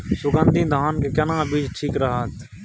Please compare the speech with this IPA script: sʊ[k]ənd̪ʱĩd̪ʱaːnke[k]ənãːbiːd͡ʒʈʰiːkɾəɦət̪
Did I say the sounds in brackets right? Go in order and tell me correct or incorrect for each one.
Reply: incorrect, correct

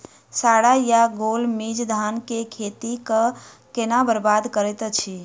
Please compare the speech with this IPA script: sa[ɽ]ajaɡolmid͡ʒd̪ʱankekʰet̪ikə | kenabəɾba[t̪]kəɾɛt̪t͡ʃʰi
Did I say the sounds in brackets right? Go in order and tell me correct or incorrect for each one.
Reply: correct, incorrect

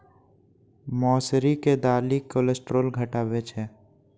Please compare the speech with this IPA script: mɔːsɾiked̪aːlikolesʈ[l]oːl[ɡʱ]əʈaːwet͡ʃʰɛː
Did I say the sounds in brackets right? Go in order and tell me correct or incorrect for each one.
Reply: incorrect, correct

